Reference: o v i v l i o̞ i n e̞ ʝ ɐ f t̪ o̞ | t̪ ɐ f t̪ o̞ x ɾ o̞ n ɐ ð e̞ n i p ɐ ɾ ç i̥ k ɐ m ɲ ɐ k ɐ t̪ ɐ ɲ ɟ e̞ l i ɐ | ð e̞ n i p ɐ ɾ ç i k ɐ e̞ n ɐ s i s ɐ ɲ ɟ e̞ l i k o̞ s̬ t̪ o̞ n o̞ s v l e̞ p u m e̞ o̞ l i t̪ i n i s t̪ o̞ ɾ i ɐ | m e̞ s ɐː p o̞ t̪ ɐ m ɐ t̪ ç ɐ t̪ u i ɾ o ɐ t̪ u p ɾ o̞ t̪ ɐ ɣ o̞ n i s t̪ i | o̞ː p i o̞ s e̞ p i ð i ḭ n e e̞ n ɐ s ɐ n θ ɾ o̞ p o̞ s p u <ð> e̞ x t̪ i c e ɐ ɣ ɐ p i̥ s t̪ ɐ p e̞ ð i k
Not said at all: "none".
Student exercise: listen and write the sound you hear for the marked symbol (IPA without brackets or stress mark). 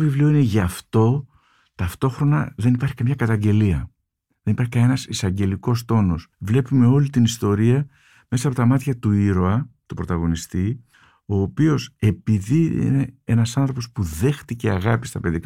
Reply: ð